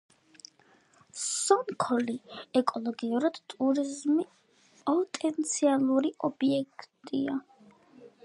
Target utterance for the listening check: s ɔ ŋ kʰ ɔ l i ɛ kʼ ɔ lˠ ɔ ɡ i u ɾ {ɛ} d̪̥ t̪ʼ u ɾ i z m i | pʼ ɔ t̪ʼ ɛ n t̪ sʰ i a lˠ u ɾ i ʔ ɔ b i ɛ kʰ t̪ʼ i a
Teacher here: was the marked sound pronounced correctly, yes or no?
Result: no